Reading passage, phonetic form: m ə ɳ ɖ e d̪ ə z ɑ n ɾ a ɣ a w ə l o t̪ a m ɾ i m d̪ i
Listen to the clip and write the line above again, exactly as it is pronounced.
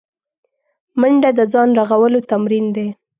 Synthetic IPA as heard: m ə ɳ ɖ a d̪ ə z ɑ n ɾ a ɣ a w ə l o t̪ a m ɾ i n d̪ e

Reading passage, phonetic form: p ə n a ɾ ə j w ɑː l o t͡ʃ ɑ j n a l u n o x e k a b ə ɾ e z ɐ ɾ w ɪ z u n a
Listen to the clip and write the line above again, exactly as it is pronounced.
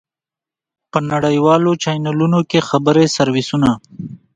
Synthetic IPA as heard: p ə n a ɽ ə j w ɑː l o t͡ʃ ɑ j n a l u n o k e x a b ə ɾ e s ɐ ɾ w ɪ s u n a

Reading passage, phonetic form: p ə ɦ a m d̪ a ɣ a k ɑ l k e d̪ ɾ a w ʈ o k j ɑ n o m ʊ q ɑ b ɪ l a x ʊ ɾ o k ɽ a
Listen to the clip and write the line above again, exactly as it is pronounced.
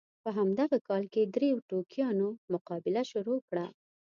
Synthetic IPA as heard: p ə ɦ a m d̪ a ɣ a k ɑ l k e d̪ ɾ e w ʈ o k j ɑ n o m ʊ q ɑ b ɪ l a ʃ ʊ ɾ o k ɽ a

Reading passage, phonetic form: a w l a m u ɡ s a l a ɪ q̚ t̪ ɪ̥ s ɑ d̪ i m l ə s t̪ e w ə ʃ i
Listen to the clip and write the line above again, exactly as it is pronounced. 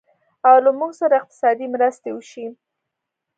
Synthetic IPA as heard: a w l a m u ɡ s a ɾ a ɪ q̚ t̪ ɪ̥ s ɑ d̪ i m ɾ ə s t̪ e w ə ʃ i

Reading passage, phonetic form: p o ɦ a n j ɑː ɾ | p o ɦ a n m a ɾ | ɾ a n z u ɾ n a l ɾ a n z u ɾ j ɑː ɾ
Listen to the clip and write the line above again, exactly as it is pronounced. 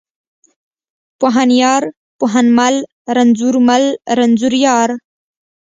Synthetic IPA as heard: p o ɦ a n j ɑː ɾ | p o ɦ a n m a l | ɾ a n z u ɾ m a l ɾ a n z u ɾ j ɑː ɾ

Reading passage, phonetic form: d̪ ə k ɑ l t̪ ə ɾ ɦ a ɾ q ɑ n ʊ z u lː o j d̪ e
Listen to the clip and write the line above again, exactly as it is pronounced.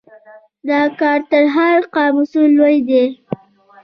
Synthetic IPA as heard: d̪ ɑ k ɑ ɾ t̪ ə ɾ ɦ a ɾ q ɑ m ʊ s u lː o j d̪ e

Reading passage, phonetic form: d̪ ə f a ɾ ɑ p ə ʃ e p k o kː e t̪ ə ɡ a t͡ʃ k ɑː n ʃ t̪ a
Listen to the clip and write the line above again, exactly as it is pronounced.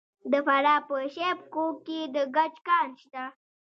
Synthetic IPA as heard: d̪ ə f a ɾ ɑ p ə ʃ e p k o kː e d̪ ə ɡ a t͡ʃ k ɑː n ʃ t̪ a

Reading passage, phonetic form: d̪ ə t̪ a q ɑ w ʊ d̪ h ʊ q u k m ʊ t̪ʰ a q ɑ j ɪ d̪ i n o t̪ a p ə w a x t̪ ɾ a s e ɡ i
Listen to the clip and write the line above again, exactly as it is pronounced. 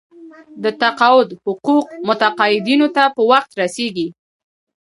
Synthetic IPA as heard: d̪ ə t̪ a q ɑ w ʊ d̪ h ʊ q u q m ʊ t̪ a q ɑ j ɪ d̪ i n o t̪ a p ə w a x t̪ ɾ a s e ɡ i

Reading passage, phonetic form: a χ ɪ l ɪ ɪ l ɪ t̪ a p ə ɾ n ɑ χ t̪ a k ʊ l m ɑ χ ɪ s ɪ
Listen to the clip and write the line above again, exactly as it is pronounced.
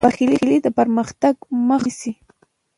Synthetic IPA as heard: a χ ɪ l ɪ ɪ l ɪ t̪ a p a ɾ m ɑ χ t̪ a k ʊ m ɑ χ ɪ s ɪ

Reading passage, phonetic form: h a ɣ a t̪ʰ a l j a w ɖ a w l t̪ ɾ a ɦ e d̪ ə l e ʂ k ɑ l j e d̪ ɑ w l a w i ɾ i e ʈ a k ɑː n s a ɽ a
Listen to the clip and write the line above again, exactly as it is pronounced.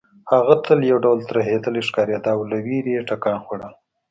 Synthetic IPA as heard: h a ɣ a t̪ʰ ə l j a w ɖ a w l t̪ ɾ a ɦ e d̪ ə l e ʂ k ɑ ɾ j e d̪ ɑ w l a w i ɾ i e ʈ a k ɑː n x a ɽ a

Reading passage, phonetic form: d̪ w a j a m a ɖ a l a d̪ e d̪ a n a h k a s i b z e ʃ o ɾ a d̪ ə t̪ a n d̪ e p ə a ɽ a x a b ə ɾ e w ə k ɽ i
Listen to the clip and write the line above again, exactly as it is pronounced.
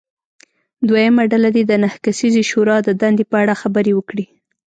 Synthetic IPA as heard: d̪ w a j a m a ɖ a l a d̪ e d̪ ə n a h k a s i z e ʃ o ɾ ɑ d̪ ə d̪ a n d̪ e p ə a ɽ a x a b ə ɾ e w ə k ɽ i

